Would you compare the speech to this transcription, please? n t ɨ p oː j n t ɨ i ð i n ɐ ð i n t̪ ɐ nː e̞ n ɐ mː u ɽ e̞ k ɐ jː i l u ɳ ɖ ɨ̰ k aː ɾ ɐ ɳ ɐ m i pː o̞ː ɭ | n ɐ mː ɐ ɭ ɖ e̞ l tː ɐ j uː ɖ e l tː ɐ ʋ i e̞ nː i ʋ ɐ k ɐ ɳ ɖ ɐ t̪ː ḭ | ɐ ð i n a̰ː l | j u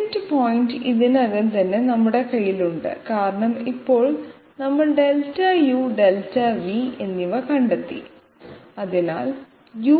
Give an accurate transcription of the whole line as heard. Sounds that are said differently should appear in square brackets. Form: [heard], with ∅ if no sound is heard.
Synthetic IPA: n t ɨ p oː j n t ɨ i ð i n ɐ ð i n t̪ ɐ nː e̞ n ɐ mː u ɽ e̞ k ɐ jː i l u ɳ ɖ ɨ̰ k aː ɾ ɐ ɳ ɐ m i pː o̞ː ɭ | n ɐ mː ɐ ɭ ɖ e̞ l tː ɐ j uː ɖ e l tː ɐ ʋ i e̞ nː i ʋ ɐ k ɐ ɳ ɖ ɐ t̪ː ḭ | ɐ ð i n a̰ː l | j u